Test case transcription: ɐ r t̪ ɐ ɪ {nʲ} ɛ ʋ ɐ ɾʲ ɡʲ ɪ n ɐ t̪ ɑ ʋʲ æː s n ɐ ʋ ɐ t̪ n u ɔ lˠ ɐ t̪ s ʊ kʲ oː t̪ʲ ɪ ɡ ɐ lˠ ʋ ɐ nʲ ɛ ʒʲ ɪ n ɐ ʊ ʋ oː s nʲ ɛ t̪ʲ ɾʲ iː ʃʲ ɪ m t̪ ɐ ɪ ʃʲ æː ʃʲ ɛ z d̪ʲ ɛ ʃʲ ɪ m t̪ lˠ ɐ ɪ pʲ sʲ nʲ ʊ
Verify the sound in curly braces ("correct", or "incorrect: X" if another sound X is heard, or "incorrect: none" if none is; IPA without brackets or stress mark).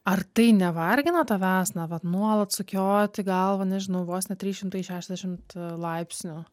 correct